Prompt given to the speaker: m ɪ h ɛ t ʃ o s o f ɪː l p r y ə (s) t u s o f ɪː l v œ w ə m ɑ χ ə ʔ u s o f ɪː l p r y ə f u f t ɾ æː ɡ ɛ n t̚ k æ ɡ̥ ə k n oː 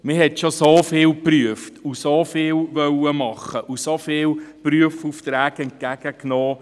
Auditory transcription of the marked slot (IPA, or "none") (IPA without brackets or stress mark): f